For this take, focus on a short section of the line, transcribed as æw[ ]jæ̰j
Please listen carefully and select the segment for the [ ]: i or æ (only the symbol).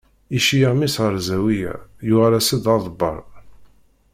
i